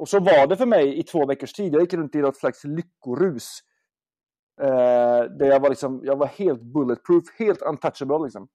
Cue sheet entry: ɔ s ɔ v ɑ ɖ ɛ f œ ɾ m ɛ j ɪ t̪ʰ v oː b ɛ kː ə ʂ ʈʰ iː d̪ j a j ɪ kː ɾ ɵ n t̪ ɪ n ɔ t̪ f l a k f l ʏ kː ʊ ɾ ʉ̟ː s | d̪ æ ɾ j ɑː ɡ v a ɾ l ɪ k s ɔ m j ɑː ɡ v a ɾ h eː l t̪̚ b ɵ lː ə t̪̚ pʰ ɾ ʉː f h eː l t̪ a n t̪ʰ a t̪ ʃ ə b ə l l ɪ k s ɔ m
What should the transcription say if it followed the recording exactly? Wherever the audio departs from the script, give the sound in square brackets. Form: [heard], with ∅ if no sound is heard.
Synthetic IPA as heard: ɔ s ɔ v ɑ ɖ ɛ f œ ɾ m ɛ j ɪ t̪ʰ v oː [v] ɛ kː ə ʂ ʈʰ iː d̪ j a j ɪ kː ɾ ɵ n t̪ ɪ n ɔ t̪ [s] l a k [s] l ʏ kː ʊ ɾ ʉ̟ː s | d̪ æ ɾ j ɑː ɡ v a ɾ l ɪ k s ɔ m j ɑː ɡ v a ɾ h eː l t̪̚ b ɵ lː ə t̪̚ pʰ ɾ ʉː f h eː l t̪ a n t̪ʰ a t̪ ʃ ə b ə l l ɪ k s ɔ m